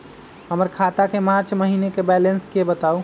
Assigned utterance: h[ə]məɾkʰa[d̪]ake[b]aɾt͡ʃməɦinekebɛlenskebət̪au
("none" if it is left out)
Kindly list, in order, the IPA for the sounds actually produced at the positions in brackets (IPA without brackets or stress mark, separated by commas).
ə, t̪, m